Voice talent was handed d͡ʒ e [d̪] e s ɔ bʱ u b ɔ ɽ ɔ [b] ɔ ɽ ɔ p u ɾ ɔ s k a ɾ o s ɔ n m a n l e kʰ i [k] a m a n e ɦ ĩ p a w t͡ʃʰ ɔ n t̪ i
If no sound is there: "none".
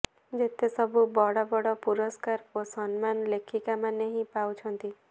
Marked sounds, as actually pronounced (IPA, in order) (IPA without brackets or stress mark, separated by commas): t̪, b, k